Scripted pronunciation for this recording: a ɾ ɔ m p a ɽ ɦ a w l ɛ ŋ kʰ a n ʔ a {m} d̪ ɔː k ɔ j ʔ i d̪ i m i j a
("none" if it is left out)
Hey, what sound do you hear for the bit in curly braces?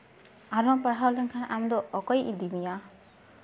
m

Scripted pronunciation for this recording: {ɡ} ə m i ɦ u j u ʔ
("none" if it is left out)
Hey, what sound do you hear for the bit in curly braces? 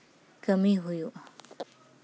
k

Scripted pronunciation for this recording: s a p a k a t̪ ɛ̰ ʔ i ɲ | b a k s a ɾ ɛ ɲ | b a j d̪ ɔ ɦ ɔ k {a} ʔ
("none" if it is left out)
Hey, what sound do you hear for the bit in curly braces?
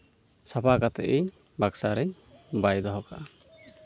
a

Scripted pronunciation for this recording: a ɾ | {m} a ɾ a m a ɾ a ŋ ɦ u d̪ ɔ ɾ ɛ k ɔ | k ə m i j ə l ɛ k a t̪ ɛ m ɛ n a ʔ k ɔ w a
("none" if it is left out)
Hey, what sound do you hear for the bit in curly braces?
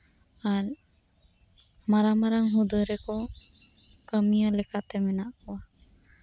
m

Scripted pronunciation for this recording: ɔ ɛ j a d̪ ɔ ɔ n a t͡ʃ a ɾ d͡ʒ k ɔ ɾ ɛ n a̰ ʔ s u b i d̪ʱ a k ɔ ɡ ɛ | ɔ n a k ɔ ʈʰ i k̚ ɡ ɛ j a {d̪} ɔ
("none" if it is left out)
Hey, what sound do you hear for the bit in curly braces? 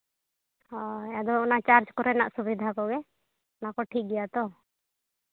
t̪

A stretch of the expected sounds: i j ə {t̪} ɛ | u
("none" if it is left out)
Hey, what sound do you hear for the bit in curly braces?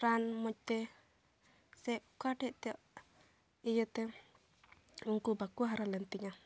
t̪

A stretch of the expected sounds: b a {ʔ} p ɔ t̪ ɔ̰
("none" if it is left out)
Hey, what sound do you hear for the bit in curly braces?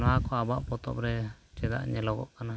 ʔ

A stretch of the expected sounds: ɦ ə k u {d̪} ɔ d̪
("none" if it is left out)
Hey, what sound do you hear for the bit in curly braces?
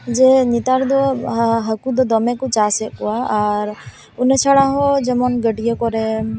d̪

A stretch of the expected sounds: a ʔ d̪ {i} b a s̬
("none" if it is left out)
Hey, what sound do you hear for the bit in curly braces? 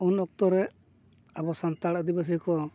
i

